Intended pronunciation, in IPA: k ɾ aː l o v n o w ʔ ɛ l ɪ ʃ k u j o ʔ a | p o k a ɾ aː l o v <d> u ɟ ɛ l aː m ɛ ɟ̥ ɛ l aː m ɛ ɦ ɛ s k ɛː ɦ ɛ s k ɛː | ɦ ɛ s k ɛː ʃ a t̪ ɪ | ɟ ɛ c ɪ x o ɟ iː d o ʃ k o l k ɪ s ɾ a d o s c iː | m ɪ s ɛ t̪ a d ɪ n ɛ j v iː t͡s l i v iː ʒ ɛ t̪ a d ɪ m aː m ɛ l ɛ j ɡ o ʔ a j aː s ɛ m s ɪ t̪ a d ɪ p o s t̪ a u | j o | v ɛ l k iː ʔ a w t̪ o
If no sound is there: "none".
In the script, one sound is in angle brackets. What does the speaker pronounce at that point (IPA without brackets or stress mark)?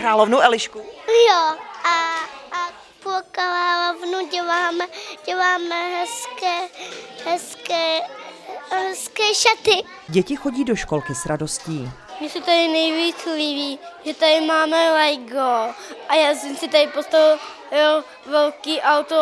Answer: n